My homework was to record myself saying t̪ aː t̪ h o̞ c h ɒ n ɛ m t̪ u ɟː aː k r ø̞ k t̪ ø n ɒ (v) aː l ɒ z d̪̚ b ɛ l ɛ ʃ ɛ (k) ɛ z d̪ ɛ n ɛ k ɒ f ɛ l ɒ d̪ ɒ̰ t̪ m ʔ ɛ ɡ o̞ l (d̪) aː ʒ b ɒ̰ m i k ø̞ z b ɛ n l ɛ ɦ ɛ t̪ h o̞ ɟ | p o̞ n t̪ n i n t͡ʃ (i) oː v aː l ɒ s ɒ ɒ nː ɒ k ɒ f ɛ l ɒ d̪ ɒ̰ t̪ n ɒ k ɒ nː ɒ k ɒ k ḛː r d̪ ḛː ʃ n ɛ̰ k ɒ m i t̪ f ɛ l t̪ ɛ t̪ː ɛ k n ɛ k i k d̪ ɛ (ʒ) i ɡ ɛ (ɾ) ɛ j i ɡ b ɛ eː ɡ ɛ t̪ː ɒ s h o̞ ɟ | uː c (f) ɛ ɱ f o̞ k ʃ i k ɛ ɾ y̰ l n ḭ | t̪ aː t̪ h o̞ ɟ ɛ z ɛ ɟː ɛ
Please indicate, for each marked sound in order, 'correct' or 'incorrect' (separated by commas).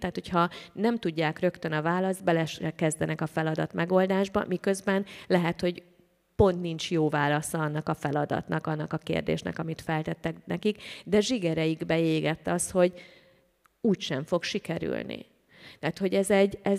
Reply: correct, correct, correct, incorrect, correct, correct, incorrect